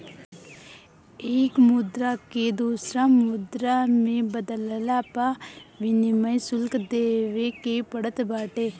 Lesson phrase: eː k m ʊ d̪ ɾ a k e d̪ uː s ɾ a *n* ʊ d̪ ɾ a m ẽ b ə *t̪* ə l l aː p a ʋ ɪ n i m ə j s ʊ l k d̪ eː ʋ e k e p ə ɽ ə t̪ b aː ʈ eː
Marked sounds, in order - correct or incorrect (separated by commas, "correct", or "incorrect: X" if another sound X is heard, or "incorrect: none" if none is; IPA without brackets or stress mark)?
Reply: incorrect: m, incorrect: d̪